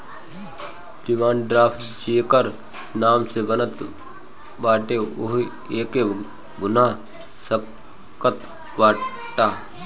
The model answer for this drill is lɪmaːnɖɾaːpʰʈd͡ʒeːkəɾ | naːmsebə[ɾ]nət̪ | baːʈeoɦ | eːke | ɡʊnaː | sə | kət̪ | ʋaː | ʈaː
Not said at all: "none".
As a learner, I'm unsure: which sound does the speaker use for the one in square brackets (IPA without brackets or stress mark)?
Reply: none